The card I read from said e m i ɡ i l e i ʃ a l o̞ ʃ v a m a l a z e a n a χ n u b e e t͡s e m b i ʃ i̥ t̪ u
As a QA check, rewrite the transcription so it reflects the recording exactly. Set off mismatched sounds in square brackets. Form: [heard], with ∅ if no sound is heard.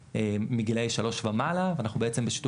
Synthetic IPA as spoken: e m i ɡ i l e [j] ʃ a l o̞ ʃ v a m a l a [v] e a n a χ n u b e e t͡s e m b [e] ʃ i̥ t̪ u